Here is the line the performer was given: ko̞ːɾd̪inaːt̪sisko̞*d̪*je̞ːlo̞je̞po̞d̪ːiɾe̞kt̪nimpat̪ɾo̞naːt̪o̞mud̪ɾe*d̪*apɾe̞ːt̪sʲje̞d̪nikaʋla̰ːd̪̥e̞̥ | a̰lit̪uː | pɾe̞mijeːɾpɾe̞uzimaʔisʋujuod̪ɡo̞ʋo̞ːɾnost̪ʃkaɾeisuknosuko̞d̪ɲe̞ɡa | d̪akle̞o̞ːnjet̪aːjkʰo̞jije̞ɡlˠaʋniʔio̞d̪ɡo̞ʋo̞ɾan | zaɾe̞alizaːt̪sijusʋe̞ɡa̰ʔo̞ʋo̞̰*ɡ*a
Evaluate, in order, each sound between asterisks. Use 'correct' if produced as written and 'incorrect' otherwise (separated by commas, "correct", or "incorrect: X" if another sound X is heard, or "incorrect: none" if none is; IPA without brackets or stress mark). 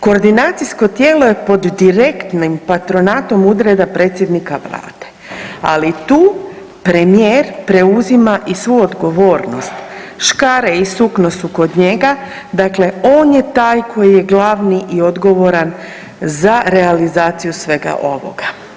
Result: incorrect: t̪, correct, correct